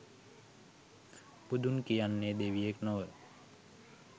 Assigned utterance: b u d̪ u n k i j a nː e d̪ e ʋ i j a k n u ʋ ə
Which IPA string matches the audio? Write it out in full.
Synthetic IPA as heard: p u d̪ u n k i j a nː e d̪ e ʋ i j e k n o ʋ ə